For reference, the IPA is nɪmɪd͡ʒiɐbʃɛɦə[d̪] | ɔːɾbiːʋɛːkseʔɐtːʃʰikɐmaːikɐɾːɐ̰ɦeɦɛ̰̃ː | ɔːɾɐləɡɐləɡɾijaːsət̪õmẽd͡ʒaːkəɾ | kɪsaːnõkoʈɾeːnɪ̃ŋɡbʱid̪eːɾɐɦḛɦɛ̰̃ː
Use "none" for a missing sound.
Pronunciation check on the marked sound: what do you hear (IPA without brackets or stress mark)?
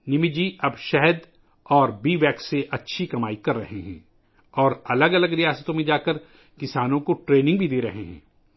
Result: d̪